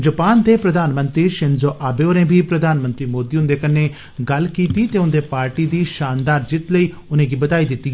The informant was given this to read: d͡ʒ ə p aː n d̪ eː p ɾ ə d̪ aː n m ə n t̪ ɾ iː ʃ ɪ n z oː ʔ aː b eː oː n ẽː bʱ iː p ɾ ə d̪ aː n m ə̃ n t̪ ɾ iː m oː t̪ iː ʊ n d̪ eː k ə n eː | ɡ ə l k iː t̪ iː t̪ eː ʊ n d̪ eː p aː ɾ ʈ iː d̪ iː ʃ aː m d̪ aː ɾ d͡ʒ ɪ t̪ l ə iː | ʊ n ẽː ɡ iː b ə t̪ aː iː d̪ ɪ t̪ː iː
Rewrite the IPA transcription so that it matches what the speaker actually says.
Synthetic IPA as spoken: d͡ʒ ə p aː n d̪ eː p ɾ ə d̪ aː n m ə n t̪ ɾ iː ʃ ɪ n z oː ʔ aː b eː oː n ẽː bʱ iː p ɾ ə d̪ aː n m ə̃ n t̪ ɾ iː m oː d̪ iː ʊ n d̪ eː k ə n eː | ɡ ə l k iː t̪ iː t̪ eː ʊ n d̪ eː p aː ɾ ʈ iː d̪ iː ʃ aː n d̪ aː ɾ d͡ʒ ɪ t̪ l ə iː | ʊ n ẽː ɡ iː b ə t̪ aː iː d̪ ɪ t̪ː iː

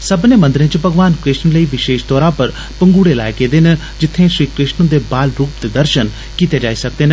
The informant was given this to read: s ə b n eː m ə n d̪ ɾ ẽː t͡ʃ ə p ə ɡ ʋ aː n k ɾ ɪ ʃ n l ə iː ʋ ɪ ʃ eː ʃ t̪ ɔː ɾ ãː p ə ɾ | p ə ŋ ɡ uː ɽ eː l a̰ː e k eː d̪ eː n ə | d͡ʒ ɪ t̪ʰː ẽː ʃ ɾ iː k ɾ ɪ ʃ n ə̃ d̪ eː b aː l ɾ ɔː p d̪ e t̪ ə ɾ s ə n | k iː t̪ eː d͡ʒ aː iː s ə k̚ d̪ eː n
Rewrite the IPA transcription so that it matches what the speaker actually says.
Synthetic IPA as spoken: s ə b n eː m ə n d̪ ɾ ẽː t͡ʃ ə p ə ɡ ʋ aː n k ɾ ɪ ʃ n l ə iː ʋ ɪ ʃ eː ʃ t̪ ɔː ɾ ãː p ə ɾ | p ə ŋ ɡ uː ɽ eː l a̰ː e k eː d̪ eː n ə | d͡ʒ ɪ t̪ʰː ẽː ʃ ɾ iː k ɾ ɪ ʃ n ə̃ d̪ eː b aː l ɾ uː p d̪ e d̪ ə ɾ ʃ ə n | k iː t̪ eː d͡ʒ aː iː s ə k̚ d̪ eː n

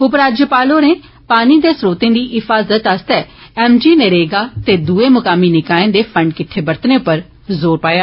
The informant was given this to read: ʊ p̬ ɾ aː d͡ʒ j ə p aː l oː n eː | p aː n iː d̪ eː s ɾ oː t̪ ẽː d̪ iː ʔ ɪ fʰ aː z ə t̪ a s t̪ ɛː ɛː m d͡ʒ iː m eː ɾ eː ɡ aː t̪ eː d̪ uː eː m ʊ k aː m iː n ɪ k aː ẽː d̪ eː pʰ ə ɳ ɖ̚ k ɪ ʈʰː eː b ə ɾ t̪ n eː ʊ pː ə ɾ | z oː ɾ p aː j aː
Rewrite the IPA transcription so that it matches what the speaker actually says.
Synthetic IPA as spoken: ʊ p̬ ɾ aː d͡ʒ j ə p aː l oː n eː | p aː n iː d̪ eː s ɾ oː t̪ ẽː d̪ iː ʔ ɪ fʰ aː z ə t̪ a s t̪ ɛː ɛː m d͡ʒ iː n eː ɾ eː ɡ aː t̪ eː d̪ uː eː m ʊ k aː m iː n ɪ k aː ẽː d̪ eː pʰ ə ɳ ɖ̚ k ɪ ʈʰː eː b ə ɾ t̪ n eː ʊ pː ə ɾ | z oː ɾ p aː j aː

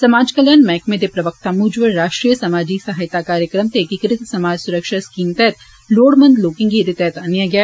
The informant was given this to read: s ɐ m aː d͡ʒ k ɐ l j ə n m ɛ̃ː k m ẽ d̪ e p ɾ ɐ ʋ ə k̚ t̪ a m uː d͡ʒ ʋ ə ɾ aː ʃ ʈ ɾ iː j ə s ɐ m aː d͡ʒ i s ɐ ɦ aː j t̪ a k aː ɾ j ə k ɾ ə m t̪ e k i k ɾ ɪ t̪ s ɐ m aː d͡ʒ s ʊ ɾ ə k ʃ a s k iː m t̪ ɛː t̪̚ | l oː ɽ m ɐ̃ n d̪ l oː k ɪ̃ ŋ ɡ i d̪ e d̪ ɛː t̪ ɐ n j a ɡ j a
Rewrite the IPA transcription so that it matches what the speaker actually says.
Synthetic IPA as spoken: s ɐ m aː d͡ʒ k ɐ l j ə n m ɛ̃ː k m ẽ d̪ e p ɾ ɐ ʋ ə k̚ t̪ a m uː d͡ʒ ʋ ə ɾ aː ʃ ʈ ɾ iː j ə s ɐ m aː d͡ʒ i s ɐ ɦ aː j t̪ a k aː ɾ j ə k ɾ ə m t̪ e k i k ɾ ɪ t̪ s ɐ m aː d͡ʒ s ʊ ɾ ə k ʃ a s k iː m t̪ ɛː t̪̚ | l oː ɽ m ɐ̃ n d̪ l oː k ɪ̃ ŋ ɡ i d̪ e t̪ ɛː t̪ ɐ n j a ɡ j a

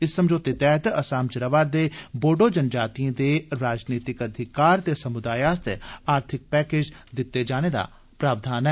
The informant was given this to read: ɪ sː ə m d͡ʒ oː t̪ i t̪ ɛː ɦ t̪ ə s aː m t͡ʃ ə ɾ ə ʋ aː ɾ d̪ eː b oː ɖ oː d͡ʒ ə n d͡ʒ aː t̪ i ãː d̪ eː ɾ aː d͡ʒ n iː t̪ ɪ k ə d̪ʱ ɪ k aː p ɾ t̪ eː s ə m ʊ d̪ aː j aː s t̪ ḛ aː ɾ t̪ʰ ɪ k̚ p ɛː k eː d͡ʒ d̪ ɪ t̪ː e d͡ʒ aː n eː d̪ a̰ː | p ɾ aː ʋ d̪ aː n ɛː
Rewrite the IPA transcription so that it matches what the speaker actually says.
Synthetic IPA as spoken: ɪ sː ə m d͡ʒ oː t̪ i t̪ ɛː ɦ t̪ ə s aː m t͡ʃ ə ɾ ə ʋ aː ɾ d̪ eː b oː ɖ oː d͡ʒ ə n d͡ʒ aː t̪ i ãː d̪ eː ɾ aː d͡ʒ n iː t̪ ɪ k ə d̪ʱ ɪ k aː ɾ t̪ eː s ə m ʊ d̪ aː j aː s t̪ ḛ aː ɾ t̪ʰ ɪ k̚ p ɛː k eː d͡ʒ d̪ ɪ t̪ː e d͡ʒ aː n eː d̪ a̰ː | p ɾ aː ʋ d̪ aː n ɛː

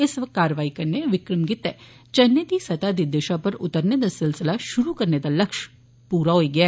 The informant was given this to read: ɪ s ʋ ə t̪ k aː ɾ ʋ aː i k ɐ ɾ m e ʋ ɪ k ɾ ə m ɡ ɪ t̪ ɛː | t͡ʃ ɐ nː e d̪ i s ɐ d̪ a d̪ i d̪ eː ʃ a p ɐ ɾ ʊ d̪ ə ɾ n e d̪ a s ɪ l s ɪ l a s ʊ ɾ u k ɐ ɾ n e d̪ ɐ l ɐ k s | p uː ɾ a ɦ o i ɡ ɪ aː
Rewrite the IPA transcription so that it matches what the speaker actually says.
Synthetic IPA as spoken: ɪ s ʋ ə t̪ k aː ɾ ʋ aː i k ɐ ɾ n e ʋ ɪ k ɾ ə m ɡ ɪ t̪ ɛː | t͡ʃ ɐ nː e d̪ i s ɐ t̪ a d̪ i d̪ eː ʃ a p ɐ ɾ ʊ t̪ ə ɾ n e d̪ a s ɪ l s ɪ l a ʃ ʊ ɾ u k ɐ ɾ n e d̪ a l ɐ k ʃ | p uː ɾ a ɦ o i ɡ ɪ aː

